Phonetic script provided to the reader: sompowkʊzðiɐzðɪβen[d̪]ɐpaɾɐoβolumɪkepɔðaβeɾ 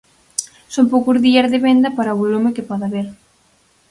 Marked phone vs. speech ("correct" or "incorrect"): correct